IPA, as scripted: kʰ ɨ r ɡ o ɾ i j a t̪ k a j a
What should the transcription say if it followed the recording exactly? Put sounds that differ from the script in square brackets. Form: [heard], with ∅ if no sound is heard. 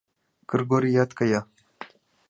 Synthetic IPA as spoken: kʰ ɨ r ɡ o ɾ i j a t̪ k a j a